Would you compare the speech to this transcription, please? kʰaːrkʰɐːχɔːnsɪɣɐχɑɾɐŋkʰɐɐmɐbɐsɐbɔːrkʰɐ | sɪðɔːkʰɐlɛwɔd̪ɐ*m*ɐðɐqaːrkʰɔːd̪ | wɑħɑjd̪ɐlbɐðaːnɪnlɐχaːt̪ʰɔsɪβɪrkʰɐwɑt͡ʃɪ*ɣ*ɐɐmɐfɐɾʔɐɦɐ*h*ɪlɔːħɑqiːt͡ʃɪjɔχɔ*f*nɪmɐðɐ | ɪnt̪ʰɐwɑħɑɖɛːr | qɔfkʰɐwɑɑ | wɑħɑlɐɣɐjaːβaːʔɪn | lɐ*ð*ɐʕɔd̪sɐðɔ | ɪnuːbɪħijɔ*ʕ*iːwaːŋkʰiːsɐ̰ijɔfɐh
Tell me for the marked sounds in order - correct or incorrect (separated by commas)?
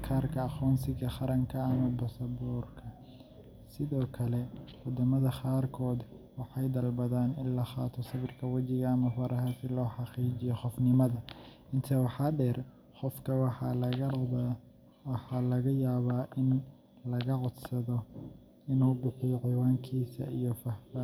correct, correct, incorrect, correct, incorrect, correct